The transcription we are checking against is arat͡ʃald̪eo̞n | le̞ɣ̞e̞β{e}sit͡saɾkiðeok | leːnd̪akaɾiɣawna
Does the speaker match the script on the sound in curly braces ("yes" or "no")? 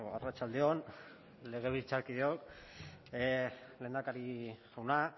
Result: no